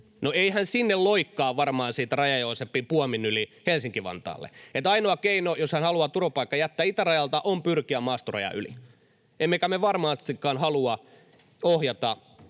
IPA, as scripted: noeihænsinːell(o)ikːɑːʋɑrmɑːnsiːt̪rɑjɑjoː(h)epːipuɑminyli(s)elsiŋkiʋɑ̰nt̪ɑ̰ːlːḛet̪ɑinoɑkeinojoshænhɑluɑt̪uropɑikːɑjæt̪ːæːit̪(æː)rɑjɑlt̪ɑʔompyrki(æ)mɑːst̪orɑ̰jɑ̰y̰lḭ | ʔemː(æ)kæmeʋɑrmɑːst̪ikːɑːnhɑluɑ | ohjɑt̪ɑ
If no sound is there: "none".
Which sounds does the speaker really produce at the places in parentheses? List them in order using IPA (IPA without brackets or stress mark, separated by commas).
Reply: o, s, h, æ, æ, e